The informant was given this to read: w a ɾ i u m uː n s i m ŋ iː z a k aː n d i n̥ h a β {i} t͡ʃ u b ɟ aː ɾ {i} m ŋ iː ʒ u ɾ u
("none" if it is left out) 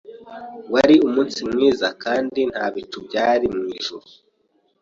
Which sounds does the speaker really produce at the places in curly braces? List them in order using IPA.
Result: i, i

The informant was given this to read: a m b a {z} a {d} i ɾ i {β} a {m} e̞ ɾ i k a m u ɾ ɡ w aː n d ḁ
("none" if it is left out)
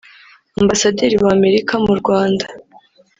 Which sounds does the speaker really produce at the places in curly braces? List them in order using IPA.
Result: s, d, w, m

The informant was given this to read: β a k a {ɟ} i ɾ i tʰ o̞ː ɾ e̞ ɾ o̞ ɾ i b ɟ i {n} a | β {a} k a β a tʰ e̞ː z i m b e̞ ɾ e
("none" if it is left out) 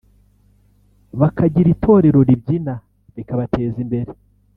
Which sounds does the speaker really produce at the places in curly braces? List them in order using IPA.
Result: ɟ, n, i

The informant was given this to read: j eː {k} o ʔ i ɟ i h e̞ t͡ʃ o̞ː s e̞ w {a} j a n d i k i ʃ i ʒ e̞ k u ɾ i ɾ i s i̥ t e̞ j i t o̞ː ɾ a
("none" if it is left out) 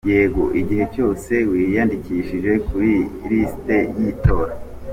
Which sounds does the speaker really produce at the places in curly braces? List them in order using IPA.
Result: ɡ, i

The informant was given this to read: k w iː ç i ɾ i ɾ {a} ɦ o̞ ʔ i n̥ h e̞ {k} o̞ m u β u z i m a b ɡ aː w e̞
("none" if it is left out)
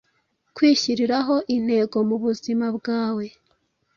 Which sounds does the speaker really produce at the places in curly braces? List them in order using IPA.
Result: a, ɡ

